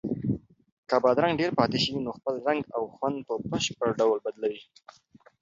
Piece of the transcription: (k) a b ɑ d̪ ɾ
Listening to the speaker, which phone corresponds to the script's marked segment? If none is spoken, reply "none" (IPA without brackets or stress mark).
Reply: k